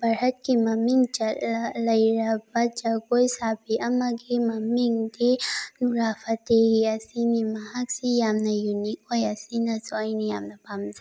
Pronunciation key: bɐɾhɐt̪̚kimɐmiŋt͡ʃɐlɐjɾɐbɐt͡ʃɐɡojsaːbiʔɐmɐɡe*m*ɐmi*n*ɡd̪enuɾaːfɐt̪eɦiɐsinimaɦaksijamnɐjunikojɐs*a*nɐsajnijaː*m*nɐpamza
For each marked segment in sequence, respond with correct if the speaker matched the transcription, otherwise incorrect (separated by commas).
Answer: correct, incorrect, incorrect, correct